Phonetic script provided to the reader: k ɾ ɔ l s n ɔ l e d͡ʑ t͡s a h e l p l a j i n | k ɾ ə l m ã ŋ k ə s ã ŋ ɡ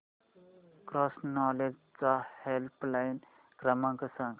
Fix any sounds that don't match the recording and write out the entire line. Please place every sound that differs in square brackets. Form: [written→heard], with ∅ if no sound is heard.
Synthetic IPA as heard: k ɾ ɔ [l→∅] s n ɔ l e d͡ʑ t͡s a h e l p l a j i n | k ɾ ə [l→∅] m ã ŋ k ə s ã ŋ ɡ